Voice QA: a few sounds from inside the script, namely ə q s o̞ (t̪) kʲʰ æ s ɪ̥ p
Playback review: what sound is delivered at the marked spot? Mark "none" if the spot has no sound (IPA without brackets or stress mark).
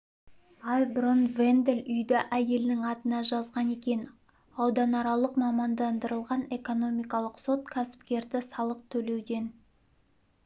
t̪